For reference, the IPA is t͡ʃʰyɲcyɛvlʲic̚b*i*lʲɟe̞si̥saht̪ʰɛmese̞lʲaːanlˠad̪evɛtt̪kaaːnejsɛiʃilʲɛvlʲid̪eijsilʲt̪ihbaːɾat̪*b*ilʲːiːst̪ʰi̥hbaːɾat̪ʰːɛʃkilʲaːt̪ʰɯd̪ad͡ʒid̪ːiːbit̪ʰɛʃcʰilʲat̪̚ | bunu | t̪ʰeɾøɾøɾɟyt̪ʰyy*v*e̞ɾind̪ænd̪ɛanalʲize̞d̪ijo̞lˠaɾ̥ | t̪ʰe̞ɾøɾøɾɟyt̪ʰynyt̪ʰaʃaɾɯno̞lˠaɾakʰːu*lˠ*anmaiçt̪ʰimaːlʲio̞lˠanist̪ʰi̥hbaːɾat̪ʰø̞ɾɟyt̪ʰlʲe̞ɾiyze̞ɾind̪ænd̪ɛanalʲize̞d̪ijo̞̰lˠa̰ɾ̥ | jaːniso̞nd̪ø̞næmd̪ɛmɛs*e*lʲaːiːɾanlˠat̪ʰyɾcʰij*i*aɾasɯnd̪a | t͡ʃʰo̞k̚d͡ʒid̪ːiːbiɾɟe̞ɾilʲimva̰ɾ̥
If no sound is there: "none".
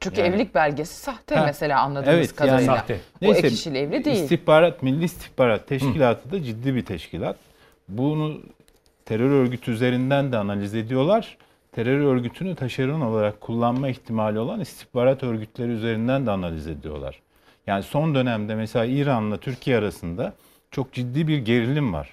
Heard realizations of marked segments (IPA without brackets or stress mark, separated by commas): æ, m, z, lˠː, e, ɛ